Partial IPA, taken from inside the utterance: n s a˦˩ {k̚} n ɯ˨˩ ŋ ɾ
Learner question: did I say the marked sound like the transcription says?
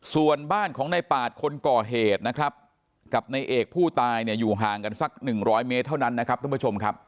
yes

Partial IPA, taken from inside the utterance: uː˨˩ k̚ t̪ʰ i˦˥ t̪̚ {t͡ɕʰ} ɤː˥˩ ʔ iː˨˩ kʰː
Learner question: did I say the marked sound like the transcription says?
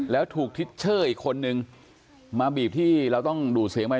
yes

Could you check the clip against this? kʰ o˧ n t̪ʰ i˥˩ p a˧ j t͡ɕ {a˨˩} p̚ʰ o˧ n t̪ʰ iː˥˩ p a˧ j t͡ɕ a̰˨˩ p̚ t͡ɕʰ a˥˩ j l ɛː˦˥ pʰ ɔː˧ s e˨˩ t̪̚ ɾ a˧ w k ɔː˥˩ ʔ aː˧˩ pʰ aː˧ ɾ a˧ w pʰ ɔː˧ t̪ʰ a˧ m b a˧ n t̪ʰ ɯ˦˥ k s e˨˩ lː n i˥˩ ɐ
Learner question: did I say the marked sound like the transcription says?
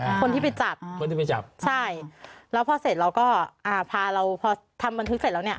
yes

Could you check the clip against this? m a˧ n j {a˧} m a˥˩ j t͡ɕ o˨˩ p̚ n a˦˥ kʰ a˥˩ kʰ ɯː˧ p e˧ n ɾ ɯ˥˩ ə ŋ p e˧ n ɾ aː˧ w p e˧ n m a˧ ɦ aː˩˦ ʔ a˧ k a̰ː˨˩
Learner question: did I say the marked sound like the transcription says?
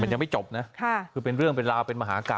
yes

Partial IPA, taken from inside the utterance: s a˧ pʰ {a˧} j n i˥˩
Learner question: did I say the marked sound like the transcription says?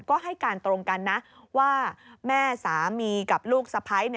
no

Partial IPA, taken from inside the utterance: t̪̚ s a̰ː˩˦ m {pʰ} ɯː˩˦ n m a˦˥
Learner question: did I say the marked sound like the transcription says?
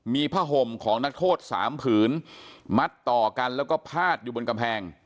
yes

